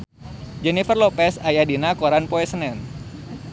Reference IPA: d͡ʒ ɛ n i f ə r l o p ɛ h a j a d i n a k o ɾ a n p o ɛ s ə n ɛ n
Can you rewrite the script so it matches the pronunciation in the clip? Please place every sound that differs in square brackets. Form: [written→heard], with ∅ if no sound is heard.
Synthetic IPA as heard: d͡ʒ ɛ n i f ə r l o p ɛ [h→s] a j a d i n a k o ɾ a n p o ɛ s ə n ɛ n